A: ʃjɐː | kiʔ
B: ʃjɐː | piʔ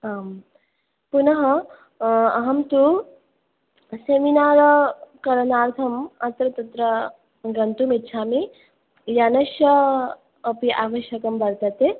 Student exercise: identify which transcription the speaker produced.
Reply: B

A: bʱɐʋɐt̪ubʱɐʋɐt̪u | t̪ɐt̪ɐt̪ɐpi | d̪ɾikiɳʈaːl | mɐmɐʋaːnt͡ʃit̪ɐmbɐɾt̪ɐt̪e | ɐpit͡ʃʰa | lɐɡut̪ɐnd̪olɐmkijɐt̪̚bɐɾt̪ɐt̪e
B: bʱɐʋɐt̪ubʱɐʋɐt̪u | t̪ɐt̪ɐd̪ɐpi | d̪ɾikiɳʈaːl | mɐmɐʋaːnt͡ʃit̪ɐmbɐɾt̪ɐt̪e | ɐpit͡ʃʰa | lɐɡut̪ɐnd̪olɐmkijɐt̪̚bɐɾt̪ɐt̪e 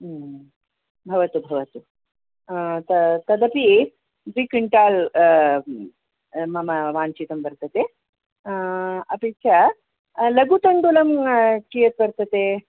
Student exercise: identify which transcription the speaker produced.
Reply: B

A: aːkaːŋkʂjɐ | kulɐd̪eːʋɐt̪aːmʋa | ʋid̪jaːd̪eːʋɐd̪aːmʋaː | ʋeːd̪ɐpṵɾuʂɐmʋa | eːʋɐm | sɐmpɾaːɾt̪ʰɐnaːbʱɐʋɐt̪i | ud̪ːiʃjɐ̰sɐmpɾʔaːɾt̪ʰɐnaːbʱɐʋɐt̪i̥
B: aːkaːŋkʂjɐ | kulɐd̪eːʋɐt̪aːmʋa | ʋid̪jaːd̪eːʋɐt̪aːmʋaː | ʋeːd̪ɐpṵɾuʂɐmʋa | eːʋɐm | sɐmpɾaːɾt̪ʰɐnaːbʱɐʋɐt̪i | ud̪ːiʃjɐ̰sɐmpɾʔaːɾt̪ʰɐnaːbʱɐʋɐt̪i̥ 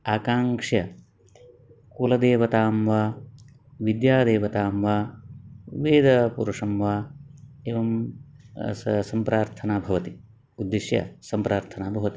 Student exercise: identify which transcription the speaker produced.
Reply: B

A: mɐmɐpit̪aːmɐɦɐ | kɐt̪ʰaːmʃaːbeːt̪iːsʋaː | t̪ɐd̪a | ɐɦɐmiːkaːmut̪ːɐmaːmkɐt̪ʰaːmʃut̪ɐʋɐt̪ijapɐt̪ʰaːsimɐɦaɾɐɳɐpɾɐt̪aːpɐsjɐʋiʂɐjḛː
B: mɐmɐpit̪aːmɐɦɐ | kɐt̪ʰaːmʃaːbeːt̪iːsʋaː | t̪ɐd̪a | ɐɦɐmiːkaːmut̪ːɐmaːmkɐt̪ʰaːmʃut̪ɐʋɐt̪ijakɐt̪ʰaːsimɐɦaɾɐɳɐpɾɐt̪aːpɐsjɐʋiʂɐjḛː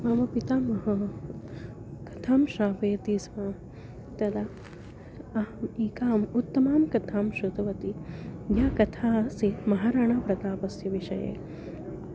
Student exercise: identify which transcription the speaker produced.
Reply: B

